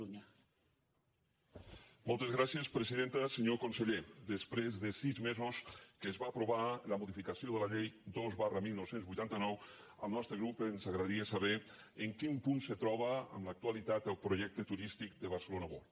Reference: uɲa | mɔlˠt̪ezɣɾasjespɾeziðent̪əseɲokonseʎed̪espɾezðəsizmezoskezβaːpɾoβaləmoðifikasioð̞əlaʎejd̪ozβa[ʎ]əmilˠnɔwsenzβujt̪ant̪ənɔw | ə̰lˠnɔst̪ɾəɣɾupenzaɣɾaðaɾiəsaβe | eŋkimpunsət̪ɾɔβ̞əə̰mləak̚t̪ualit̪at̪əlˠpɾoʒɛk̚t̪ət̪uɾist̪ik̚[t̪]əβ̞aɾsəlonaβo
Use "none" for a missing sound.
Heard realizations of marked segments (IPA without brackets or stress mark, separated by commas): r, d̪